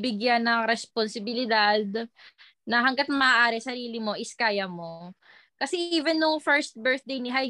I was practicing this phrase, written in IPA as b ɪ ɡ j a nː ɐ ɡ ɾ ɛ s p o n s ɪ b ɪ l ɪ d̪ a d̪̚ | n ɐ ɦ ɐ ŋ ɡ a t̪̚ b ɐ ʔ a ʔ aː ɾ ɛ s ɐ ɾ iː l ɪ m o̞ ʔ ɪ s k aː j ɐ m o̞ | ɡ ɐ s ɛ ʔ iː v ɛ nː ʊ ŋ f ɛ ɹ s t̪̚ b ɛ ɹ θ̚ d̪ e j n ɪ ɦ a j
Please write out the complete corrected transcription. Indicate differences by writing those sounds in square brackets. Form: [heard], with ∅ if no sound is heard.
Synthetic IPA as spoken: b ɪ ɡ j a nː ɐ [ŋ] ɾ ɛ s p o n s ɪ b ɪ l ɪ d̪ a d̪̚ | n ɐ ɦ ɐ ŋ ɡ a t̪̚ [m] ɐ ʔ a ʔ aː ɾ ɛ s ɐ ɾ iː l ɪ m o̞ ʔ ɪ s k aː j ɐ m o̞ | [k] ɐ s ɛ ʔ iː v ɛ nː ʊ ŋ f ɛ ɹ s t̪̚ b ɛ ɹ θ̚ d̪ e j n ɪ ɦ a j